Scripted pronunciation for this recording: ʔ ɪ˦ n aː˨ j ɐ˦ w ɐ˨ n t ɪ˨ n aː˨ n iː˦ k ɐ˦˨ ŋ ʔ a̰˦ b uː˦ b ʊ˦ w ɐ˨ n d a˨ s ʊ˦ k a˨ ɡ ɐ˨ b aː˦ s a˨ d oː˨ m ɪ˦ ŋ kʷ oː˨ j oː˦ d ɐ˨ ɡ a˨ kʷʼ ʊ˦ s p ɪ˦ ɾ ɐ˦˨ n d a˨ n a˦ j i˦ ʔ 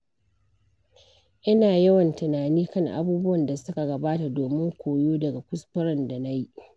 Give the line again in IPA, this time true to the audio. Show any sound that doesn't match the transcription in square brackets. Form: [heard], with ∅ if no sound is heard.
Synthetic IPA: ʔ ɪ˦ n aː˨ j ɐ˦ w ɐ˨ n t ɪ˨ n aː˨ n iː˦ k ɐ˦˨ ŋ ʔ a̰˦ b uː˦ b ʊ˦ w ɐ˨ n d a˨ s ʊ˦ k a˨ ɡ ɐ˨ b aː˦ [t] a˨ d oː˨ m ɪ˦ ŋ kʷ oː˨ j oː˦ d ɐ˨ ɡ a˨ [kʷ] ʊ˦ s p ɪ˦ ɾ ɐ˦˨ n d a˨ n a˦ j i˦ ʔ